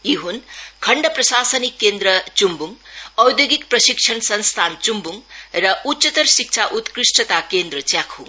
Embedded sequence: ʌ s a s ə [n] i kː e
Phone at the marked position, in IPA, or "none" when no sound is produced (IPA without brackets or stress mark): n